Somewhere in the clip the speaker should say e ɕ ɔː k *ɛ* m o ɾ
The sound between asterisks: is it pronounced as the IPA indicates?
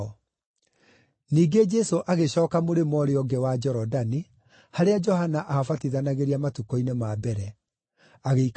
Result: no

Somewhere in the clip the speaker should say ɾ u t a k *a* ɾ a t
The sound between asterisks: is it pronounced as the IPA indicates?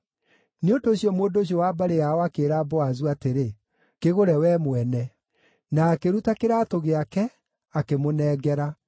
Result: no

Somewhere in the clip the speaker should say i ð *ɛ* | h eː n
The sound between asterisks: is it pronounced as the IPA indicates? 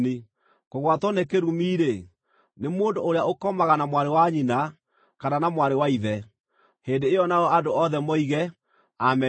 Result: yes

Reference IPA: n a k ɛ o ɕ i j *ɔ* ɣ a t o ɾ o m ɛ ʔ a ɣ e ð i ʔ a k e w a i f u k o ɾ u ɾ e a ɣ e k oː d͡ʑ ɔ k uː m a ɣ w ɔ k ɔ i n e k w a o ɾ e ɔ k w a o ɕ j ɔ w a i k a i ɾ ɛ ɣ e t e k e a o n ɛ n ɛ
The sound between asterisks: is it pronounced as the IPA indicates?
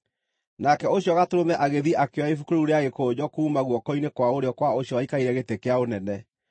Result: yes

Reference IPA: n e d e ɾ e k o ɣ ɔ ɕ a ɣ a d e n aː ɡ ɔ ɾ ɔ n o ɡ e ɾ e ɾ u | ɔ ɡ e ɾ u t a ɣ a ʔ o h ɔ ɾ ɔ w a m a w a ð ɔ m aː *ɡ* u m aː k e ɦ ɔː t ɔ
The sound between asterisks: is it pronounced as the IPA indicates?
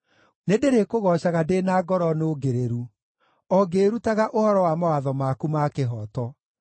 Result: no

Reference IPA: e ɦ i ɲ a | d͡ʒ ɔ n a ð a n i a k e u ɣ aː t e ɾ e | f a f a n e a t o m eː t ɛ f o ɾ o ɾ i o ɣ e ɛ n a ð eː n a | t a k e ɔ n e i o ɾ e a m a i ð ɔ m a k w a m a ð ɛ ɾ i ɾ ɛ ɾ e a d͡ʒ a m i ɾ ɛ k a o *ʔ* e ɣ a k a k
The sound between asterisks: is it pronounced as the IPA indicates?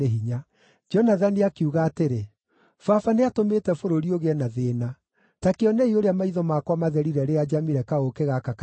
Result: no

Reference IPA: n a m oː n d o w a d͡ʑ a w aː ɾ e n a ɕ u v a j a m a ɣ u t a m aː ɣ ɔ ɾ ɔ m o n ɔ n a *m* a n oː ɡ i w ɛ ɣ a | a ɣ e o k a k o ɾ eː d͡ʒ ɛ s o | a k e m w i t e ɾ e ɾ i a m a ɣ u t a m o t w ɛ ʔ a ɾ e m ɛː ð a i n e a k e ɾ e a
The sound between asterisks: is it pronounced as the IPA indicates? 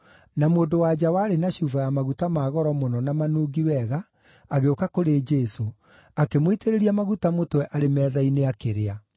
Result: yes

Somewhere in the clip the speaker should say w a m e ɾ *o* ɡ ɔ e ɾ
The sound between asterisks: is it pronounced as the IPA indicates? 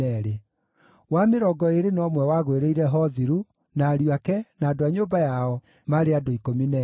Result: no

